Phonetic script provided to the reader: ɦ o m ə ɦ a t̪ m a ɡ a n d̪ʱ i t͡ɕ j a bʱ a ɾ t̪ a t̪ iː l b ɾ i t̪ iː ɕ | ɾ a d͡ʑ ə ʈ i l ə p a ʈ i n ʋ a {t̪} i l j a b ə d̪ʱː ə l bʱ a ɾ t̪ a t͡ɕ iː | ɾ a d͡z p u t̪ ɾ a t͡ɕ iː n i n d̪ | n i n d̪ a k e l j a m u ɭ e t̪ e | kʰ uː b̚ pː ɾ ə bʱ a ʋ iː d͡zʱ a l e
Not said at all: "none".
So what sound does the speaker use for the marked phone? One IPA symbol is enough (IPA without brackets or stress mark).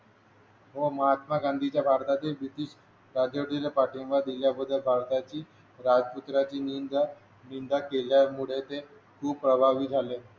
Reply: d̪